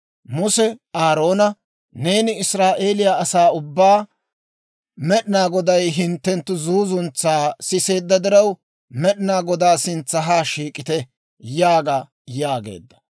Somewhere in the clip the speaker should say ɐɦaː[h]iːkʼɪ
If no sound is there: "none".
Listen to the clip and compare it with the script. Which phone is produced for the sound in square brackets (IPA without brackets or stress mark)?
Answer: ʃ